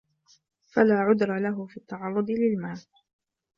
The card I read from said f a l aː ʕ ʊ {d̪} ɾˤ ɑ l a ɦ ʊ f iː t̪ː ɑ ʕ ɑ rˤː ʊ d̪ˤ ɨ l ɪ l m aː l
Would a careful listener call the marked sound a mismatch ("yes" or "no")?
no